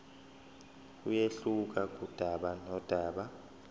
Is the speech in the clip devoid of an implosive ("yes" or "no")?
no